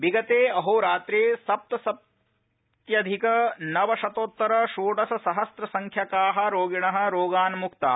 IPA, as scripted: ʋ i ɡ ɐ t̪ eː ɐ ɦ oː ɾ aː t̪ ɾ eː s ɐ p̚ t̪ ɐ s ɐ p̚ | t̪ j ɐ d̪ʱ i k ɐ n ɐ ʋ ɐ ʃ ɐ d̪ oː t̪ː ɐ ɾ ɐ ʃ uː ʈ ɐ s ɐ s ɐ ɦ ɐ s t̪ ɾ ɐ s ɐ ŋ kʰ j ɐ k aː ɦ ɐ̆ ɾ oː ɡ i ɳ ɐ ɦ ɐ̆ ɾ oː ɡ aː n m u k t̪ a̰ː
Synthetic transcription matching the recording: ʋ i ɡ ɐ t̪ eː ɐ ɦ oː ɾ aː t̪ ɾ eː s ɐ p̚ t̪ ɐ s ɐ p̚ | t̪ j ɐ d̪ʱ i k ɐ n ɐ ʋ ɐ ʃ ɐ t̪ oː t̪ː ɐ ɾ ɐ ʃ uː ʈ ɐ s ɐ s ɐ ɦ ɐ s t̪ ɾ ɐ s ɐ ŋ kʰ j ɐ k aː ɦ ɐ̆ ɾ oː ɡ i ɳ ɐ ɦ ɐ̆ ɾ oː ɡ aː n m u k t̪ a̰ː